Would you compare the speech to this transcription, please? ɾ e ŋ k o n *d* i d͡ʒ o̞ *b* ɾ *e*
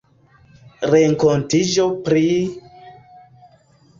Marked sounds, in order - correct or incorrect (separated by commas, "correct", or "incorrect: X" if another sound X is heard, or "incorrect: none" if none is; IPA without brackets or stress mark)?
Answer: incorrect: t, incorrect: p, incorrect: i